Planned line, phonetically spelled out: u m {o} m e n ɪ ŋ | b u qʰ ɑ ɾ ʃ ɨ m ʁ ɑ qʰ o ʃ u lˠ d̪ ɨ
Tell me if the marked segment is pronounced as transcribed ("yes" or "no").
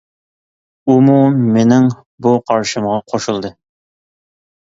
no